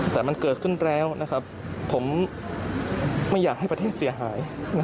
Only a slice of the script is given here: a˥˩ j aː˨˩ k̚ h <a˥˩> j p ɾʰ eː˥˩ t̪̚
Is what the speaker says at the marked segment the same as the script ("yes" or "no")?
yes